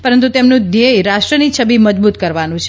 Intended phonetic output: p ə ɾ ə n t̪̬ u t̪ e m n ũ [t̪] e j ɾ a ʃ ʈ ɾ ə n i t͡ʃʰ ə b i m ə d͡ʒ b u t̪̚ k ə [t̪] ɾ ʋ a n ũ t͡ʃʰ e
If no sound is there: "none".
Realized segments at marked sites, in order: d̪, none

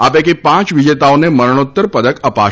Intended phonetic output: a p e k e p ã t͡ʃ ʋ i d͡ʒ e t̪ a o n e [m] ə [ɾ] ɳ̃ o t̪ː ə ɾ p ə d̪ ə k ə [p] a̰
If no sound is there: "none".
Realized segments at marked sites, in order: m, ɾ, p

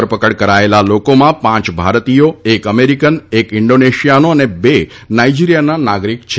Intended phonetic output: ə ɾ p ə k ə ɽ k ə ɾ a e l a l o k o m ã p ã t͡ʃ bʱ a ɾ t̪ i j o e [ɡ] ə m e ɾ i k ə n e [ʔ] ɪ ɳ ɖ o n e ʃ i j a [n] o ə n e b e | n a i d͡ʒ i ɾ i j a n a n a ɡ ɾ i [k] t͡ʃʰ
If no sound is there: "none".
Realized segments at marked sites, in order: k, k, n, k

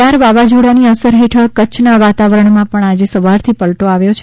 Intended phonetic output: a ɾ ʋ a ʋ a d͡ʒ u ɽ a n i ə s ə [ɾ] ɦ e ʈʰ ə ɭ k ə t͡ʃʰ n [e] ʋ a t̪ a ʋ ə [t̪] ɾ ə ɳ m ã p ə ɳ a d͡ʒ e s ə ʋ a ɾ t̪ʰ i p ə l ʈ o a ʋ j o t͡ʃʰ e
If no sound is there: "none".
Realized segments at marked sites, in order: ɾ, a, none

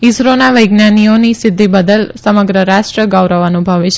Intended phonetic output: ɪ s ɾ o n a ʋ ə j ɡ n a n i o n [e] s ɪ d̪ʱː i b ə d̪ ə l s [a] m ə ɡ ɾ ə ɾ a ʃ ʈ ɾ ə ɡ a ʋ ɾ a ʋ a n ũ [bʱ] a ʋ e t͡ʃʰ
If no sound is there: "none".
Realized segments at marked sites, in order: i, ə, bʱ

